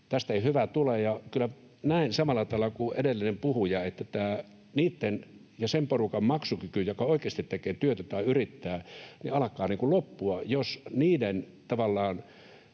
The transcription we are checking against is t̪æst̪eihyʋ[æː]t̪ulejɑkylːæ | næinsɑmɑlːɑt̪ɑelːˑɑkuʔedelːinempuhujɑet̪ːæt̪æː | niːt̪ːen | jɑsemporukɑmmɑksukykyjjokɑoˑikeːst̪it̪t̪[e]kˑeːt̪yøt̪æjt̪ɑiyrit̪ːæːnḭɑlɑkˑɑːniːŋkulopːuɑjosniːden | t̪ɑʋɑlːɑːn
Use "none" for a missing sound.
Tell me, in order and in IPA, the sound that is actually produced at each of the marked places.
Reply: æ, e

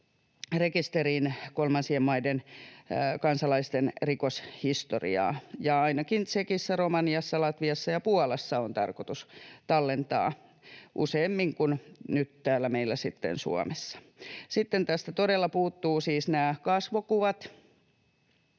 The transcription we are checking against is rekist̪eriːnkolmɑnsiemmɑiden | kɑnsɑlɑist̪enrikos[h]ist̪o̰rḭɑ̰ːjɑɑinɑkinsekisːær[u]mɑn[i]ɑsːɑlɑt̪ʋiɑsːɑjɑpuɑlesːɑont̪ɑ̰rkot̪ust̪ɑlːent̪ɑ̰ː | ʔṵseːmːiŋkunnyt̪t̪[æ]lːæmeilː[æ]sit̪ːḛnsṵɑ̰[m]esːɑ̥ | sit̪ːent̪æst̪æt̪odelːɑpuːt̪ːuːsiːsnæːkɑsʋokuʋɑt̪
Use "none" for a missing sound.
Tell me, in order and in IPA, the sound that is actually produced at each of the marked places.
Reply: h, o, i, æː, æ, m

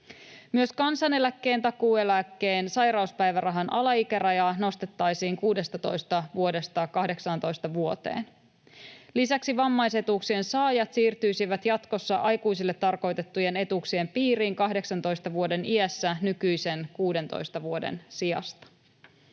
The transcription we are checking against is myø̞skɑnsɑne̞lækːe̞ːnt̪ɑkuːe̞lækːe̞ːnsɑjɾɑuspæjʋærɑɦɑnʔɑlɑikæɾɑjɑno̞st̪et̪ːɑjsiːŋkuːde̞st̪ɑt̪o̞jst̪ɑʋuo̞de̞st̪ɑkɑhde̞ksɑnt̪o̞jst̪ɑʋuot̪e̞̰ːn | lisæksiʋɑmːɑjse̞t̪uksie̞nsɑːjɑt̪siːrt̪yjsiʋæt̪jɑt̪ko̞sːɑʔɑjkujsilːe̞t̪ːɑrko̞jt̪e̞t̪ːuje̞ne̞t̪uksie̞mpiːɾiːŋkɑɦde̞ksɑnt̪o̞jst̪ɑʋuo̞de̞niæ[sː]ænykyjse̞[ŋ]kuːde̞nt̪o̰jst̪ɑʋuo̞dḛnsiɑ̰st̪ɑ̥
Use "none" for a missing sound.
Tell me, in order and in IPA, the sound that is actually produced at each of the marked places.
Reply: sː, n

